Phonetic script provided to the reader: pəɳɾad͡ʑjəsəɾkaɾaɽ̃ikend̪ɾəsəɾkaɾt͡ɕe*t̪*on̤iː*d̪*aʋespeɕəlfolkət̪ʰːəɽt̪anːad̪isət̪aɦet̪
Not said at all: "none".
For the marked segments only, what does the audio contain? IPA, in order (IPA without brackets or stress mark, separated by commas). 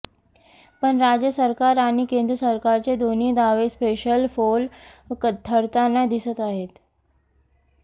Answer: d̪, d̪